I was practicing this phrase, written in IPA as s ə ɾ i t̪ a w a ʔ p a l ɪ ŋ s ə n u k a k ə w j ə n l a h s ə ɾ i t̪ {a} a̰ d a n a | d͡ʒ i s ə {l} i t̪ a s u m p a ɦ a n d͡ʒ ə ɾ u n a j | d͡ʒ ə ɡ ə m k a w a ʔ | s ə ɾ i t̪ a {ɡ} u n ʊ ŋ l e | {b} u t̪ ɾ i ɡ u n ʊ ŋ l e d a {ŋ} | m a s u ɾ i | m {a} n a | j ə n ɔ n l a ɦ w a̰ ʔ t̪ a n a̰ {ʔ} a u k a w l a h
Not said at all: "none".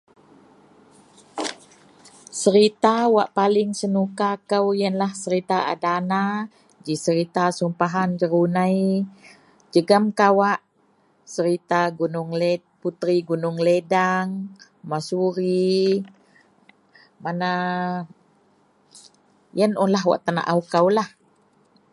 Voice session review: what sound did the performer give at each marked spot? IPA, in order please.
a, ɾ, ɡ, p, ŋ, a, ʔ

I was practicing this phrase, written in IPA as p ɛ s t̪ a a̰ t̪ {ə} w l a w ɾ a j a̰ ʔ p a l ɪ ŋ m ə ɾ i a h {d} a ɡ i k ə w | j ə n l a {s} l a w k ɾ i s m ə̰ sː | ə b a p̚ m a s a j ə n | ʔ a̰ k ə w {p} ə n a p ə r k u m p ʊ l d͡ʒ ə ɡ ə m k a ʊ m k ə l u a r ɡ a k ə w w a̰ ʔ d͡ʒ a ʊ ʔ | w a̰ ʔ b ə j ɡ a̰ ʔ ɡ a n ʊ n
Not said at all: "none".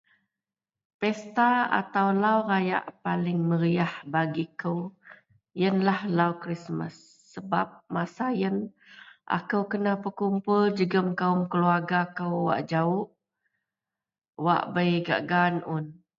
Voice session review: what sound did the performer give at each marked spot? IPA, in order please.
a, b, h, k

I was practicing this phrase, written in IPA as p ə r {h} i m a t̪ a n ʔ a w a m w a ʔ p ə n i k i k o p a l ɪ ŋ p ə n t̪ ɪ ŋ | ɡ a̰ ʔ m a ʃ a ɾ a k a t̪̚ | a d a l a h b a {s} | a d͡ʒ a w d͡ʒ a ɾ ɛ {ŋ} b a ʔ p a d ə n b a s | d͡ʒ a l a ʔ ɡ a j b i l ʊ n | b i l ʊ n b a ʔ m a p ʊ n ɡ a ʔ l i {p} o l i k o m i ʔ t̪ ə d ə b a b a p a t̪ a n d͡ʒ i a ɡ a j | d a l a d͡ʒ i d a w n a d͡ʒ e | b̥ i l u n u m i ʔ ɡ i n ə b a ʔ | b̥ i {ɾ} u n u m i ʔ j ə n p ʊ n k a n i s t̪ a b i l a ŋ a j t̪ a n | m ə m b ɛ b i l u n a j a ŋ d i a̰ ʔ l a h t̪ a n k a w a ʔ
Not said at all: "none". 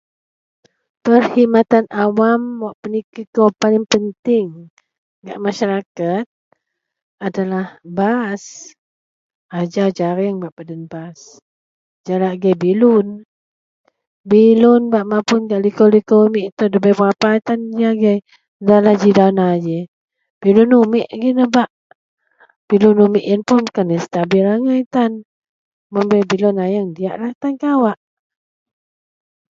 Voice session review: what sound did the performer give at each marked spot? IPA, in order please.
h, s, ŋ, k, l

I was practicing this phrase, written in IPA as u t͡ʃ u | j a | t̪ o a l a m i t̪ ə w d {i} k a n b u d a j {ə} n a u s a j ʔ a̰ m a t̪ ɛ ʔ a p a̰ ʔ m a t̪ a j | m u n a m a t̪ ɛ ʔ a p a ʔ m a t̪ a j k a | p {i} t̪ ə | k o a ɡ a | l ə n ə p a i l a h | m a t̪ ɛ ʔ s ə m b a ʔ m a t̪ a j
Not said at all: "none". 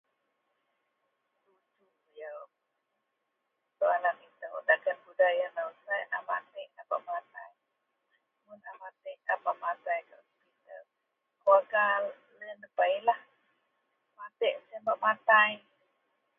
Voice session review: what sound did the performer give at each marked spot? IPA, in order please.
a, a, i

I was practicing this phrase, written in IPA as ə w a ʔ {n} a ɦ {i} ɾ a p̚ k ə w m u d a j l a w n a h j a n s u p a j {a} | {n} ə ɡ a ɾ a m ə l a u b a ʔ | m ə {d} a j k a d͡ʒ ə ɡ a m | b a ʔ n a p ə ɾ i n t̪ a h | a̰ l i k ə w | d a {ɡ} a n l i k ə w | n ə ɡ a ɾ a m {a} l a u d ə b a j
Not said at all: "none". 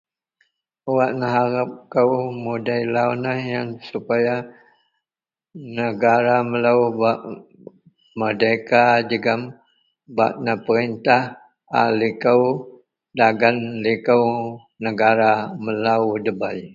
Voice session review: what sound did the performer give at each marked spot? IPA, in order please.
n, a, a, n, d, ɡ, ə

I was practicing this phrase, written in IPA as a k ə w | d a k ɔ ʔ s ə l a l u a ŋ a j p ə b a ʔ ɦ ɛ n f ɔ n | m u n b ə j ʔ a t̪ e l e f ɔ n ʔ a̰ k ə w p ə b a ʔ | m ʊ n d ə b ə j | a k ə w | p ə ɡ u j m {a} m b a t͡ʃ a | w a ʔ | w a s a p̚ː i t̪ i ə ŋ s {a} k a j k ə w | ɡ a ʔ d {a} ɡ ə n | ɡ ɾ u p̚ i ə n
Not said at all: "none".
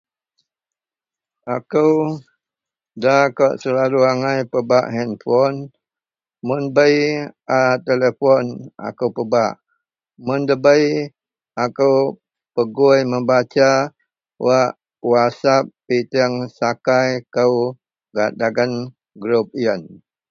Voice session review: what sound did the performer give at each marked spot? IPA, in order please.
ə, a, a

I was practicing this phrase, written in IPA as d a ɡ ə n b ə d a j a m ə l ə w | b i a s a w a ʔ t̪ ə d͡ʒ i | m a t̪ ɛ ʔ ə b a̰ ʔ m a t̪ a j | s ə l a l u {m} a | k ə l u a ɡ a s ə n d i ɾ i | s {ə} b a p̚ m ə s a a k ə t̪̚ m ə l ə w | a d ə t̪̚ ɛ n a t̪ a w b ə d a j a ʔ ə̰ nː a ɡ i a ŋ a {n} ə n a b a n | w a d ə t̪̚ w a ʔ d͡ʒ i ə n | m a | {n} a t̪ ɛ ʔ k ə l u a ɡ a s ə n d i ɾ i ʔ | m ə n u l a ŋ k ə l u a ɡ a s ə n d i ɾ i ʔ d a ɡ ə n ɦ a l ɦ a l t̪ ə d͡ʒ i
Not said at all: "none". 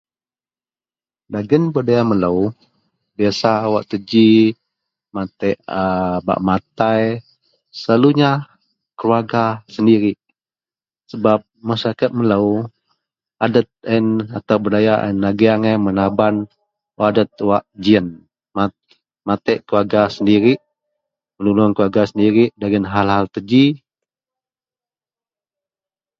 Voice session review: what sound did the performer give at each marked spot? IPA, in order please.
ɲ, ə, m, m

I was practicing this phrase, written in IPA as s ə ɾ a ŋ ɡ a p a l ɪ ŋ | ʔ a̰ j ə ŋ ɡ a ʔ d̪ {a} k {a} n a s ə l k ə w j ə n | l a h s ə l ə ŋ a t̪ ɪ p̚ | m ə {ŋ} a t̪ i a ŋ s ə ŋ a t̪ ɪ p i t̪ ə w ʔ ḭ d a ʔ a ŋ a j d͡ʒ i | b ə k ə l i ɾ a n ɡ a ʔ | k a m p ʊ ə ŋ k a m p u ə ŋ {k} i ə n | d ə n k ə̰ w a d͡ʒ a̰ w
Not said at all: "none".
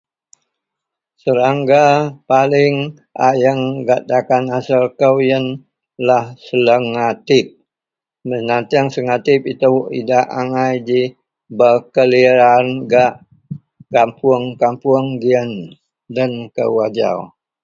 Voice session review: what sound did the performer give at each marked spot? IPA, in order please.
a, a, n, ɡ

